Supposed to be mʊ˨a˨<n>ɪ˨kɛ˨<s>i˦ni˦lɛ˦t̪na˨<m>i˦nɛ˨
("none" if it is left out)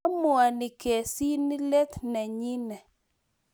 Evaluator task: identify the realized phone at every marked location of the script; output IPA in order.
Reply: n, s, ɲ

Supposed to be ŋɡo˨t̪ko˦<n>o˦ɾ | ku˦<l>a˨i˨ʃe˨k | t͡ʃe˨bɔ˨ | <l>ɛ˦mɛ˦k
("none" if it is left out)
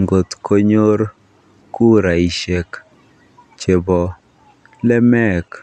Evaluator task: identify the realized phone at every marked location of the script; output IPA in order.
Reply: ɲ, ɾ, l

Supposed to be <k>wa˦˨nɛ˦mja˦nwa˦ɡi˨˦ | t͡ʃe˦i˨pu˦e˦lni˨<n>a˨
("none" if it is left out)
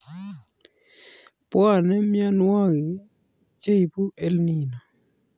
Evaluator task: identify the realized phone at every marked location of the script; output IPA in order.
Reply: p, n

